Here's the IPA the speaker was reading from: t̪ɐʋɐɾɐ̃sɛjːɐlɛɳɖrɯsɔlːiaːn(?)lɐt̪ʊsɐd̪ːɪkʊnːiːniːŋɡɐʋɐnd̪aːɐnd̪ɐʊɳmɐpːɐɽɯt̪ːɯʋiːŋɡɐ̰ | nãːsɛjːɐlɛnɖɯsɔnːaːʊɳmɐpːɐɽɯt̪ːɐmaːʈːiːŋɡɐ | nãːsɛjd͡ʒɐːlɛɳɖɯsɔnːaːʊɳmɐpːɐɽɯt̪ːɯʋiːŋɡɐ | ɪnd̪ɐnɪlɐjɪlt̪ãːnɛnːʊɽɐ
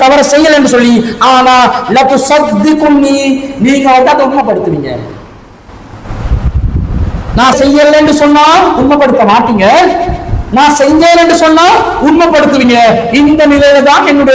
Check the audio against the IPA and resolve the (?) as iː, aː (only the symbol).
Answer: aː